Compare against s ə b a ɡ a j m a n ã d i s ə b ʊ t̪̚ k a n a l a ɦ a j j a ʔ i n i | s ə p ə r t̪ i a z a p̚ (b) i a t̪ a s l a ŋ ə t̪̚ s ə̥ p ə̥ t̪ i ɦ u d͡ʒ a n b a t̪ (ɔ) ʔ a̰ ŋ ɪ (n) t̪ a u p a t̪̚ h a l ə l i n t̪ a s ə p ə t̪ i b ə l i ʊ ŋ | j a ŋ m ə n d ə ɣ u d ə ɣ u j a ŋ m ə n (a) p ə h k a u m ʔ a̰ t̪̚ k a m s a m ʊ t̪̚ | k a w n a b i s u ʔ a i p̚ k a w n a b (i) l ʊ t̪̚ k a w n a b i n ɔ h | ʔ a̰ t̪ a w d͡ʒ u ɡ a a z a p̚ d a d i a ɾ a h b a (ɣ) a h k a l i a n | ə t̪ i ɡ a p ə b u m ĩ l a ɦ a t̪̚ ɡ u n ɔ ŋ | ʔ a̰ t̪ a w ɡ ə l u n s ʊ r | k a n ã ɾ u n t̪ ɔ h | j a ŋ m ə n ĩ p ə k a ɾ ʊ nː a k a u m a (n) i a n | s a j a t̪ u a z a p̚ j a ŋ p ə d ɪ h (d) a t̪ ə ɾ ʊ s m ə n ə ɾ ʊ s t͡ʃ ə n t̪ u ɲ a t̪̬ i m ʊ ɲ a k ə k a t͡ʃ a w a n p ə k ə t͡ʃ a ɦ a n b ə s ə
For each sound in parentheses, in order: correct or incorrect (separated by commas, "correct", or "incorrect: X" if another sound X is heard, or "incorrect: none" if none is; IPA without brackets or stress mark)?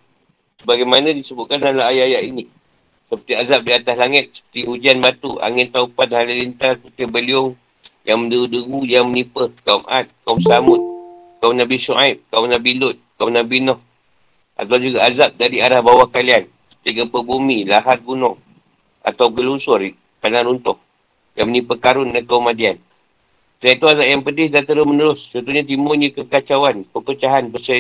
incorrect: d, incorrect: u, correct, incorrect: i, correct, incorrect: w, incorrect: d, correct